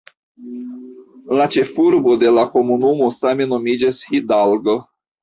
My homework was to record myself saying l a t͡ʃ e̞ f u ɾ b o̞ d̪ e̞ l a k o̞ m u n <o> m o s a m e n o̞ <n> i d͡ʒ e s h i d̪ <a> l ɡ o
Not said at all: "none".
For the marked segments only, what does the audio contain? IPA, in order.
u, m, a

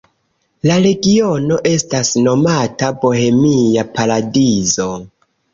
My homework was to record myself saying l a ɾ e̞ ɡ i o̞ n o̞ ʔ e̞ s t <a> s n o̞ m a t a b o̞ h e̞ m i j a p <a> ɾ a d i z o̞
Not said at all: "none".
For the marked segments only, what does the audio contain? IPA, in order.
a, a

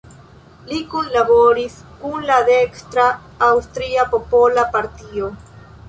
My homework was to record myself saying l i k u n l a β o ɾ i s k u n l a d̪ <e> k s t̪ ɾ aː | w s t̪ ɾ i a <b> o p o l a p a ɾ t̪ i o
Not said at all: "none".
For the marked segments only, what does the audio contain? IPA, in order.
e, p

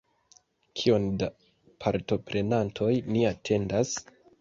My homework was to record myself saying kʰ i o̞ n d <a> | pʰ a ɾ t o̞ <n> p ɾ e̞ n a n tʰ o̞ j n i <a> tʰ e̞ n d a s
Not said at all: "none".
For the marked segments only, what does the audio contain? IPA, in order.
a, none, a

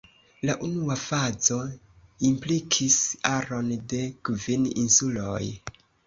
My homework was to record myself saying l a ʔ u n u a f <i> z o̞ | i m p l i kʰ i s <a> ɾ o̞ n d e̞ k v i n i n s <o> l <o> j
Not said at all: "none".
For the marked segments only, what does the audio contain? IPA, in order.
a, a, u, o

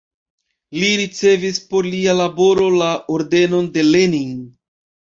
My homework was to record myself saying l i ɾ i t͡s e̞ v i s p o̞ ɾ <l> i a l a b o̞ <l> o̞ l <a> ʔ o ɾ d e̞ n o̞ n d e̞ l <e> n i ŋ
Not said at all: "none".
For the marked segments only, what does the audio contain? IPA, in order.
l, ɾ, a, e

